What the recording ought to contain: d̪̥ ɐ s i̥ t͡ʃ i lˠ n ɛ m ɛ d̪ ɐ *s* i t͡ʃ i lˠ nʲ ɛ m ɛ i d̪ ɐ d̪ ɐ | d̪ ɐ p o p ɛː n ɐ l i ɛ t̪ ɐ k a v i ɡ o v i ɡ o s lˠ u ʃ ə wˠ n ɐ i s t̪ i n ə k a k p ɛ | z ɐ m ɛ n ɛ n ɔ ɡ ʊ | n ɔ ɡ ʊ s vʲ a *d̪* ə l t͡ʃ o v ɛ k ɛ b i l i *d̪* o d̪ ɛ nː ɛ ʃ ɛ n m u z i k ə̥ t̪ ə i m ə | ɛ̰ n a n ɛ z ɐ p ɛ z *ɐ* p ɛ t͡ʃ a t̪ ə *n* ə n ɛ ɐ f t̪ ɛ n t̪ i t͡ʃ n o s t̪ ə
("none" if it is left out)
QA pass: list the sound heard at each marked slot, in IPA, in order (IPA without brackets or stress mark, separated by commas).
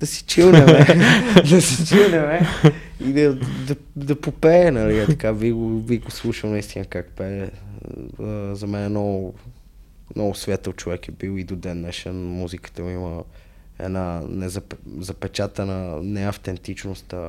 s, t̪, d̪, ɐ, n